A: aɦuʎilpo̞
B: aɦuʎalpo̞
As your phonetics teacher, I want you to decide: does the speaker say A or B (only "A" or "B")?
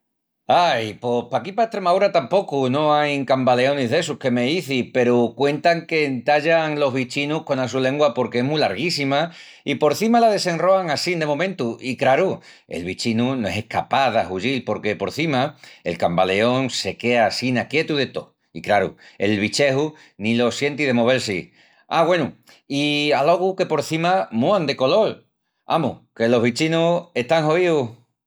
A